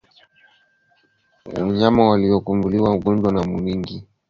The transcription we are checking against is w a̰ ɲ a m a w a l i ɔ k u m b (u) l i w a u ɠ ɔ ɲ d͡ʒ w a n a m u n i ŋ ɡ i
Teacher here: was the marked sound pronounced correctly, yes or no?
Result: yes